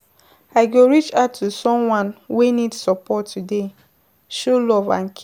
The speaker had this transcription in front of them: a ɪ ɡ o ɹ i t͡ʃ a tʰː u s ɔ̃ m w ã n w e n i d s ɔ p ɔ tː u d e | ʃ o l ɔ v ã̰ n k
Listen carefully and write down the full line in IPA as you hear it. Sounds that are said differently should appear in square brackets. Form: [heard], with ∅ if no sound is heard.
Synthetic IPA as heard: a ɪ ɡ o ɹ i t͡ʃ a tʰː u s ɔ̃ m w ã n w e n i d s ɔ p ɔ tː u d e | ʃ o l ɔ v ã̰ n k